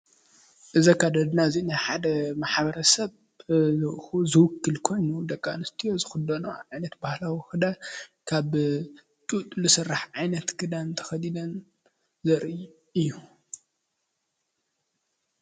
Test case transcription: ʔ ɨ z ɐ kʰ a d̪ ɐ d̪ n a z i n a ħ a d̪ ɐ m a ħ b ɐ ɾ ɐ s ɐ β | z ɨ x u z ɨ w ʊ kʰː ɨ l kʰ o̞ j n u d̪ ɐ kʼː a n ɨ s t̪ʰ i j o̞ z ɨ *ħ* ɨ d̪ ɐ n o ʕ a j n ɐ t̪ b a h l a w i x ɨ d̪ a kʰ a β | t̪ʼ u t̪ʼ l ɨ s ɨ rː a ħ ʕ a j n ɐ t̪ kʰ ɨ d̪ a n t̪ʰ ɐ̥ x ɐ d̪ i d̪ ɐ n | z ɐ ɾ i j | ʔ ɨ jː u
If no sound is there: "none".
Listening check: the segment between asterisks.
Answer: x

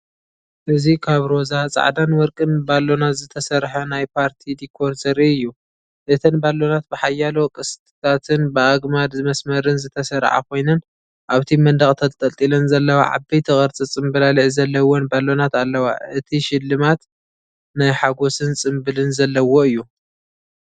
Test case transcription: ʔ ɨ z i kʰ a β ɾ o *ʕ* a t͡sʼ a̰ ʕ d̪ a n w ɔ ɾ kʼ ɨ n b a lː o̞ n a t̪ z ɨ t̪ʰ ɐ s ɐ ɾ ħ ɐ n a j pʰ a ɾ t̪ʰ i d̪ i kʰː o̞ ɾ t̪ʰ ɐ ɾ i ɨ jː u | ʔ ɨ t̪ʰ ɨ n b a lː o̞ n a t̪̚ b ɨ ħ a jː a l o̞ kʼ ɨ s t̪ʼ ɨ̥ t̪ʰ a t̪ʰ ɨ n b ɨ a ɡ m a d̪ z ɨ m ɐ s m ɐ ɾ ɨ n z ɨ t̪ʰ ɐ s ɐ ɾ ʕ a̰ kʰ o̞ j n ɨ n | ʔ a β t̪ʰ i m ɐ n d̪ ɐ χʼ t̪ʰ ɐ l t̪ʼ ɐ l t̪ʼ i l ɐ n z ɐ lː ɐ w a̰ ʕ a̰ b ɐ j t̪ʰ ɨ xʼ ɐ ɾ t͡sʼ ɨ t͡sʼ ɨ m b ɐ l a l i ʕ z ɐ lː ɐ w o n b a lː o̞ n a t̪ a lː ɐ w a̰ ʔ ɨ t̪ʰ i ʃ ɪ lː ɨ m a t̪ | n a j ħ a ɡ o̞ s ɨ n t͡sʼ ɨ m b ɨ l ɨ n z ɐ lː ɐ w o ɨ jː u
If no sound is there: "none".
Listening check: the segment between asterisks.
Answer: z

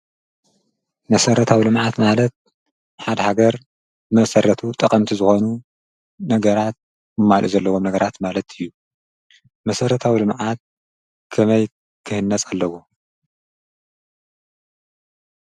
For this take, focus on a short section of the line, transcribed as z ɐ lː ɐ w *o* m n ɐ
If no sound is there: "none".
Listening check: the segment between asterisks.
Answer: o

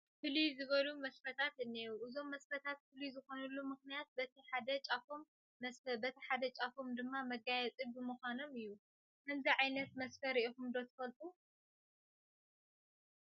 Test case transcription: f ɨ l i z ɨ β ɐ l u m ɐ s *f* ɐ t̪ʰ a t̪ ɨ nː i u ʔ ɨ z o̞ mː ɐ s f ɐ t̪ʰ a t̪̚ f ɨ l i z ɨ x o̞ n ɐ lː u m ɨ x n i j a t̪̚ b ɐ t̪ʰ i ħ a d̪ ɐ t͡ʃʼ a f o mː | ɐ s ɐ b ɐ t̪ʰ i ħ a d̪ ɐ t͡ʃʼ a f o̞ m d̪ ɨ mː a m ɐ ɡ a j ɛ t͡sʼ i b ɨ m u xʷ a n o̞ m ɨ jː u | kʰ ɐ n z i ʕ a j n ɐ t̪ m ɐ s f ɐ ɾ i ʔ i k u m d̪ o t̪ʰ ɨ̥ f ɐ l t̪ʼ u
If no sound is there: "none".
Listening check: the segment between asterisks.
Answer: f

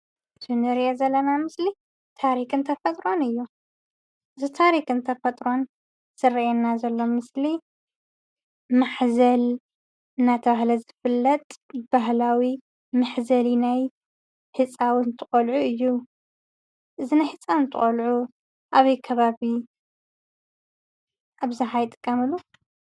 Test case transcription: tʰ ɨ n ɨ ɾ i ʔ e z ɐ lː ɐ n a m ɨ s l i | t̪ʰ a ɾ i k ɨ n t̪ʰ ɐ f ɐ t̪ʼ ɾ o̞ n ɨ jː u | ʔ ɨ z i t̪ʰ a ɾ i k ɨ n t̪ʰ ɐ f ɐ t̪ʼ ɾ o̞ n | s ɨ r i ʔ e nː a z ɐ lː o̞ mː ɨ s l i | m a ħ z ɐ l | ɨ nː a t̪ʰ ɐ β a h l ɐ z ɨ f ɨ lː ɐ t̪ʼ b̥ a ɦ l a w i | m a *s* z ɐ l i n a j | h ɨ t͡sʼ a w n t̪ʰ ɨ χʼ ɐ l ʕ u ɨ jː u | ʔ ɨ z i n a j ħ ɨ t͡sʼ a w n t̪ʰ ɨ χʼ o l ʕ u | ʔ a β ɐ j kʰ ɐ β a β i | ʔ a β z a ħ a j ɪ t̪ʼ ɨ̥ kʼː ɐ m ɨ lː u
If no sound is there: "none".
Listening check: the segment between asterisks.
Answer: ħ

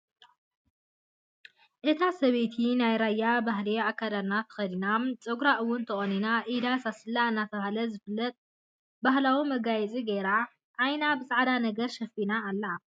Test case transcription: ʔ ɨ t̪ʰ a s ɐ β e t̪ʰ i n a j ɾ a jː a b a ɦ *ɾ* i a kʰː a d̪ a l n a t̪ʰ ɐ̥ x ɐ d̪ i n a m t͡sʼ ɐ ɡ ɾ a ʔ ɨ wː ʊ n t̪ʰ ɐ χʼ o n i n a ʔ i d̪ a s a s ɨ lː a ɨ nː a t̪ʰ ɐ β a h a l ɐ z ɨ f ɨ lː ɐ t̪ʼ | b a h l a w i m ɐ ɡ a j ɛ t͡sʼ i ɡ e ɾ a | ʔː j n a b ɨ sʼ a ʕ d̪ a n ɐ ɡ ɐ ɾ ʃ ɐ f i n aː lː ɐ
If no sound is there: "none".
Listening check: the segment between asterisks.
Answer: l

